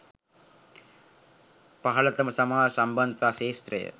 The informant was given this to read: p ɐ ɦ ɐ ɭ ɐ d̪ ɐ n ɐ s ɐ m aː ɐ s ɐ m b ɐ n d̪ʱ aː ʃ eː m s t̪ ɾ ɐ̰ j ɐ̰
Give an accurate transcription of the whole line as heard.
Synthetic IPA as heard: p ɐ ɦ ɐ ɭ ɐ t̪ ɐ m ɐ s ɐ m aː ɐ s ɐ m b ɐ n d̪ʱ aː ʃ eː s t̪ ɾ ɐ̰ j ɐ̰